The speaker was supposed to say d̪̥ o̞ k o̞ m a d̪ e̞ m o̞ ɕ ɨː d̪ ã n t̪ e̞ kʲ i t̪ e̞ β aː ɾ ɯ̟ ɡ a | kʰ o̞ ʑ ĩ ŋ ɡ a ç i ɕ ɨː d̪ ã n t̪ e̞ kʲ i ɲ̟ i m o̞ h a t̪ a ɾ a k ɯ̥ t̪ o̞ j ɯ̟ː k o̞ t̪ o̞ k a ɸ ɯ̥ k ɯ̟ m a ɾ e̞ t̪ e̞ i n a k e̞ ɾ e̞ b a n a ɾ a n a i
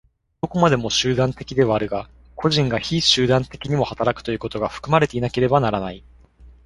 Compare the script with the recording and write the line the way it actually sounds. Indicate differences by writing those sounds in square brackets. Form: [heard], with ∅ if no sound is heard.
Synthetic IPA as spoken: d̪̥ o̞ k o̞ m a d̪ e̞ m o̞ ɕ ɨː d̪ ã n t̪ e̞ kʲ i [d̪] e̞ β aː ɾ ɯ̟ ɡ a | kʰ o̞ ʑ ĩ ŋ ɡ a ç i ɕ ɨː d̪ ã n t̪ e̞ kʲ i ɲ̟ i m o̞ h a t̪ a ɾ a k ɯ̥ t̪ o̞ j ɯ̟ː k o̞ t̪ o̞ [ɡ] a ɸ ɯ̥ k ɯ̟ m a ɾ e̞ t̪ e̞ i n a k e̞ ɾ e̞ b a n a ɾ a n a i